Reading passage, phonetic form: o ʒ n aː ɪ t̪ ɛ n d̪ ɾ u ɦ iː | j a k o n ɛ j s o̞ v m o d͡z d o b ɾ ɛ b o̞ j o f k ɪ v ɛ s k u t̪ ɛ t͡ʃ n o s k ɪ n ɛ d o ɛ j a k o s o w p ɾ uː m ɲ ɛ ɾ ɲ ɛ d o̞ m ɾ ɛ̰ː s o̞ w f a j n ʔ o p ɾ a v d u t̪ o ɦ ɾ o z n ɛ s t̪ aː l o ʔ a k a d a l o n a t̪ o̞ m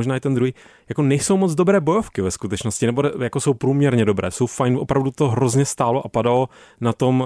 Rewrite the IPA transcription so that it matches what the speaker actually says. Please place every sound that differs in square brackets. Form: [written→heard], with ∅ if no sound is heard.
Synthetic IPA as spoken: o ʒ n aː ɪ t̪ ɛ n d̪ ɾ u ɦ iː | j a k o n ɛ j s o̞ [v→w] m o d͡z d o b ɾ [ɛ→ɛː] b o̞ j o f k ɪ v ɛ s k u t̪ ɛ t͡ʃ n o s [k→c] ɪ n ɛ [d→b] o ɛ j a k o s o w p ɾ uː m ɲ ɛ ɾ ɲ ɛ d o̞ [m→b] ɾ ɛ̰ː s o̞ w f a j n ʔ o p ɾ a v d u t̪ o ɦ ɾ o z [n→ɲ] ɛ s t̪ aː l o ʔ a [k→p] a d a l o n a t̪ o̞ m